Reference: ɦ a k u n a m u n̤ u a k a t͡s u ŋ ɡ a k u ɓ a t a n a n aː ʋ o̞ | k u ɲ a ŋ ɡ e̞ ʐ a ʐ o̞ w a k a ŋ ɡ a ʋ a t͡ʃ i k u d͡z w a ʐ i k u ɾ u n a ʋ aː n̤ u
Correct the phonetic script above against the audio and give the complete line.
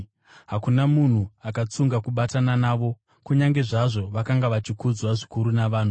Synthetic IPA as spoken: ɦ a k u n a m u n̤ u a k a t͡s u ŋ ɡ a k u ɓ a t a n a n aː ʋ o̞ | k u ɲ a ŋ ɡ e̞ ʐ a ʐ o̞ ʋ a k a ŋ ɡ a ʋ a t͡ʃ i k u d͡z w a ʐ i k u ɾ u n a ʋ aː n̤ u